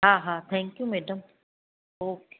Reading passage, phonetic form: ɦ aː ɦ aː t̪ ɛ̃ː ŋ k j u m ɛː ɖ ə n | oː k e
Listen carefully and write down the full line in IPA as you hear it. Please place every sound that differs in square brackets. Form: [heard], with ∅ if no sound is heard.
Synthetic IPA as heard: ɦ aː ɦ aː [t̪ʰ] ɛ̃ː ŋ k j u m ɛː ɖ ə [m] | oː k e